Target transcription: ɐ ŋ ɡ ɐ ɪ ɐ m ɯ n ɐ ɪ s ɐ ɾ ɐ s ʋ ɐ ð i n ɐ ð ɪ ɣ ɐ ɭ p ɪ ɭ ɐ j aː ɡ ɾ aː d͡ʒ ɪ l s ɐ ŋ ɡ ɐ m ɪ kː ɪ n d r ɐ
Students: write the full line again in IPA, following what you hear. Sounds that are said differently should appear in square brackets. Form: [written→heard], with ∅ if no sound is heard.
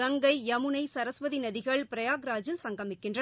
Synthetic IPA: ɐ ŋ ɡ ɐ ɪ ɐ m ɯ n ɐ ɪ s ɐ ɾ ɐ s ʋ ɐ ð i n ɐ ð ɪ ɣ ɐ ɭ p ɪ [ɭ→ɾ] ɐ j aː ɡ ɾ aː d͡ʒ ɪ l s ɐ ŋ ɡ ɐ m ɪ kː ɪ n d r ɐ